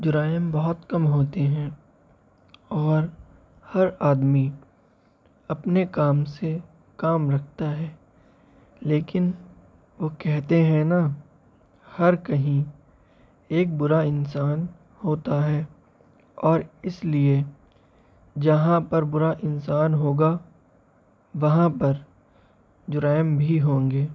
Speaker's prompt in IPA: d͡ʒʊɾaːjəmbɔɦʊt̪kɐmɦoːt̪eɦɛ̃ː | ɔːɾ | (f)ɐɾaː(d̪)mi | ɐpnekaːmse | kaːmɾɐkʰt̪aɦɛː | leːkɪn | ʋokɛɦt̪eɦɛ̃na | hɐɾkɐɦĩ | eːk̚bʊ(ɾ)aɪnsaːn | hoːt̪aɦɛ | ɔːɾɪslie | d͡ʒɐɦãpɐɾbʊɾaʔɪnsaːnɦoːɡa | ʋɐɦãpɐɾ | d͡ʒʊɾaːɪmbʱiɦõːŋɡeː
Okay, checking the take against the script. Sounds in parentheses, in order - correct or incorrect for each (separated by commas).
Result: incorrect, correct, correct